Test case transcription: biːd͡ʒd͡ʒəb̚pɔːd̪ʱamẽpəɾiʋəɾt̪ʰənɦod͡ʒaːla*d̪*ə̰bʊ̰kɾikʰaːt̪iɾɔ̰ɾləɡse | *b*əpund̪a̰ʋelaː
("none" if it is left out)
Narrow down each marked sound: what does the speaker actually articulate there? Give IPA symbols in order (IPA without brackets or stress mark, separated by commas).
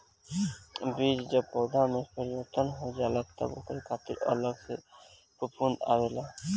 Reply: t̪, p